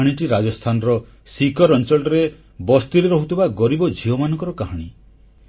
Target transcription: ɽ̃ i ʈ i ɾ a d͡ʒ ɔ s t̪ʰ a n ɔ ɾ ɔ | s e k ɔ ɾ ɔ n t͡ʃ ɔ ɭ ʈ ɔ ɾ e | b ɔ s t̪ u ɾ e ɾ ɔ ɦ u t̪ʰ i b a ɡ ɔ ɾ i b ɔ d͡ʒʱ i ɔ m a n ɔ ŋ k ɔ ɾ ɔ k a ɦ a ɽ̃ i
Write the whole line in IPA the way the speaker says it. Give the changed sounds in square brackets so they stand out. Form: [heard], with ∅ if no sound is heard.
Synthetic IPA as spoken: ɽ̃ i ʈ i ɾ a d͡ʒ ɔ s t̪ʰ a n ɔ ɾ ɔ | s [i] k ɔ ɾ ɔ n t͡ʃ ɔ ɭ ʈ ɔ ɾ e | b ɔ s t̪ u ɾ e ɾ ɔ ɦ u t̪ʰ i b a ɡ ɔ ɾ i b ɔ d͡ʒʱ i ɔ m a n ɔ ŋ k ɔ ɾ ɔ k a ɦ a ɽ̃ i